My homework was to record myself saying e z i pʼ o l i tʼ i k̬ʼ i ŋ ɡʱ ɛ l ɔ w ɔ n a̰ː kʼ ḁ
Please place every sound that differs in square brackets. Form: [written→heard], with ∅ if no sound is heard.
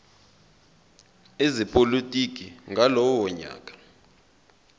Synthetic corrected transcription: e z i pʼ o l i tʼ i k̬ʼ i ŋ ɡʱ [ɛ→a] l ɔ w ɔ [n→ɲ] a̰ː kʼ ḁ